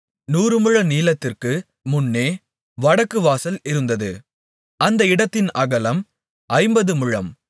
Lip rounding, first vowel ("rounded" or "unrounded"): rounded